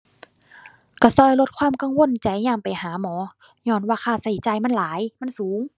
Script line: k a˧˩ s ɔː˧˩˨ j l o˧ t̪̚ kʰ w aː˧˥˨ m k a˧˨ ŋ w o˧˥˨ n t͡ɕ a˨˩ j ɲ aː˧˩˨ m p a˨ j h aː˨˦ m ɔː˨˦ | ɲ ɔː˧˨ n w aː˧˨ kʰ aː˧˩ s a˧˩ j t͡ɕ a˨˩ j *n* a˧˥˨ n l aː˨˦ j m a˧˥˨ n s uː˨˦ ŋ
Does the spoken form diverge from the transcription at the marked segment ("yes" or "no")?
yes